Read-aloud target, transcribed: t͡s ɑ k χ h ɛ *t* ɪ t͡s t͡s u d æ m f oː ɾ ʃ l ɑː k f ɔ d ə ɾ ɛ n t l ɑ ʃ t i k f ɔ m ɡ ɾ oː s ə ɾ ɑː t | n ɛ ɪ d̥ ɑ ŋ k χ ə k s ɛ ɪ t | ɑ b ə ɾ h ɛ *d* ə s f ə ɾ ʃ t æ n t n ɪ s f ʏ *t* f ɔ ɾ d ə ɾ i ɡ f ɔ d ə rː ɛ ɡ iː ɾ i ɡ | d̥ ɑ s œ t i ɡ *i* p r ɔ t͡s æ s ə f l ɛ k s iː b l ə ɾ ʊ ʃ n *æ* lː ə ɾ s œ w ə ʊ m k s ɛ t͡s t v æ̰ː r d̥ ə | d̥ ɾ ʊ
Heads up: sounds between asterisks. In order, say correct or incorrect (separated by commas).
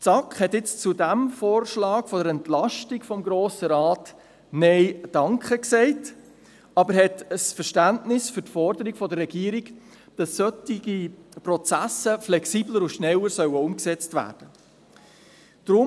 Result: correct, incorrect, correct, correct, incorrect